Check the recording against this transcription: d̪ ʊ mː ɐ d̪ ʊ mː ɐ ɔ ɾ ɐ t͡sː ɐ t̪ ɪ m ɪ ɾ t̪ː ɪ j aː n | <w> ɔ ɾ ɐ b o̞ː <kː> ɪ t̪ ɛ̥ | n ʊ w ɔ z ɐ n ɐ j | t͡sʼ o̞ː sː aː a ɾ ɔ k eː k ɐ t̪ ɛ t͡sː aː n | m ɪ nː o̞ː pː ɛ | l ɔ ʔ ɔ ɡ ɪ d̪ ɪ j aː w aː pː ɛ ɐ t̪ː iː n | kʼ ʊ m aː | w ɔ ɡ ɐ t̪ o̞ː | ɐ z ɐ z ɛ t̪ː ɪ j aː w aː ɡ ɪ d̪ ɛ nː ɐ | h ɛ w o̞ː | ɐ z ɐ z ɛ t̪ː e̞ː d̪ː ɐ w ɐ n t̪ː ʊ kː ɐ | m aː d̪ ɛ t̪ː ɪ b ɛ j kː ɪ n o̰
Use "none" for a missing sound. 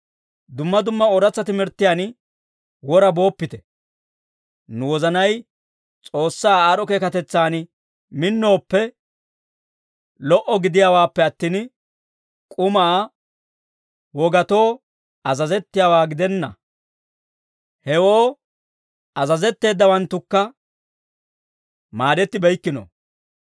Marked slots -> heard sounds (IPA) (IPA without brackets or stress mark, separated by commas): w, pː